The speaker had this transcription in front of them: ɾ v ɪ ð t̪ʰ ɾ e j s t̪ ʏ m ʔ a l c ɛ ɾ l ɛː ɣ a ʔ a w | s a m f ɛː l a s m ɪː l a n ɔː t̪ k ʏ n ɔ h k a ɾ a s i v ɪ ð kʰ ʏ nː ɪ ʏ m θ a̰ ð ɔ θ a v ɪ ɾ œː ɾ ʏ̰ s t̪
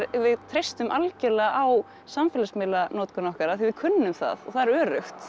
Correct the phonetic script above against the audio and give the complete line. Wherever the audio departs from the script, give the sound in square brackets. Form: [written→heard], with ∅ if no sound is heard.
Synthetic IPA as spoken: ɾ v ɪ ð t̪ʰ ɾ e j s t̪ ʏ m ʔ a l c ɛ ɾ l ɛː ɣ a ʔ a w | s a m f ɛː l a s m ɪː l a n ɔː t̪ k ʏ n ɔ h k a ɾ a [s→θ] i v ɪ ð kʰ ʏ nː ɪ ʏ m θ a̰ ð ɔ θ a [v→ð] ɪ ɾ œː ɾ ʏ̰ [s→x] t̪